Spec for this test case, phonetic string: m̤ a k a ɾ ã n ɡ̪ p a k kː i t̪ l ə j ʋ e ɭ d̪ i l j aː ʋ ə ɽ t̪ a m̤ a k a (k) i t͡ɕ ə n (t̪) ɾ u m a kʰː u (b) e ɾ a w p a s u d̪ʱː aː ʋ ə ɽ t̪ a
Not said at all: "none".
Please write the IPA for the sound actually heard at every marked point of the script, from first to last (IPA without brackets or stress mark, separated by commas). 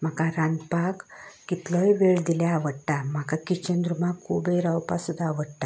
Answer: k, d̪, b